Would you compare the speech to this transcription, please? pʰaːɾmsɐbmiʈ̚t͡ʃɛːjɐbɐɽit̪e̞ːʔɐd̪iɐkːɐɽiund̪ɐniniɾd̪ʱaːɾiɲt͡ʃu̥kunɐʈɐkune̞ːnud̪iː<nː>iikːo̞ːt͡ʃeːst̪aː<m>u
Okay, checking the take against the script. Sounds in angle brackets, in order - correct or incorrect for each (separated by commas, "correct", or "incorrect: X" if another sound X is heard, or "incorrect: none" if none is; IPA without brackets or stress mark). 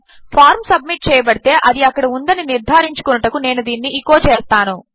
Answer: correct, incorrect: n